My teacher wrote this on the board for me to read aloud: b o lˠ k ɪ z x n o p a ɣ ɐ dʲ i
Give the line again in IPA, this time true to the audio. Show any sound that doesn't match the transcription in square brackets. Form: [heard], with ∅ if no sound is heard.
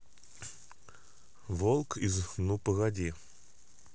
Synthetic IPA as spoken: [v] o lˠ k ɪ z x n [u] p [ə] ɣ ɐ dʲ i